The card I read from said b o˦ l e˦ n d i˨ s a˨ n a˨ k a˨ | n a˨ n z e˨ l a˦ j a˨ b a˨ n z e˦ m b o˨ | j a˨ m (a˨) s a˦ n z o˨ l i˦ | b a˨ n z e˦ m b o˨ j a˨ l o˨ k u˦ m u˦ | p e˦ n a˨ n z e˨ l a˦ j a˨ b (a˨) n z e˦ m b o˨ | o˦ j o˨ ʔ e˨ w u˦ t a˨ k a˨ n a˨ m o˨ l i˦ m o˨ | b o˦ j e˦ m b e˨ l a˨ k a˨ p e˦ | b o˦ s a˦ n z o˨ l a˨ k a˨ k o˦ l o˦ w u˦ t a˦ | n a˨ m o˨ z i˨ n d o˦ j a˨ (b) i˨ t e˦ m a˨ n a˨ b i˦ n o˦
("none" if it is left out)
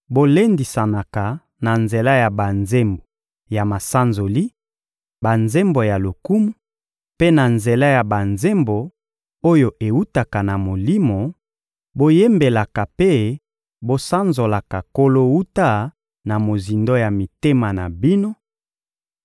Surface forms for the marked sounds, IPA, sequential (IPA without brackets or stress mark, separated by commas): a˨, a˨, m